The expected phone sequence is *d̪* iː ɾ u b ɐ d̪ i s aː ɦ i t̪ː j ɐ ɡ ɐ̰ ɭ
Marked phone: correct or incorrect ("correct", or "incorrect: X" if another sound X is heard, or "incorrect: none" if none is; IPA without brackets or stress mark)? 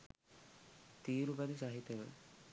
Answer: incorrect: t̪